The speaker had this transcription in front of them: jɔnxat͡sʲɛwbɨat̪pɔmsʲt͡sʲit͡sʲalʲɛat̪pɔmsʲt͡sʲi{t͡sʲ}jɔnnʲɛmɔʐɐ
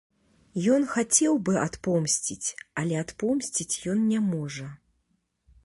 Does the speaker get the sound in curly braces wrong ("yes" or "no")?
no